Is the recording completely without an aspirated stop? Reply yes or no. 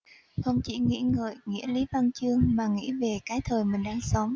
no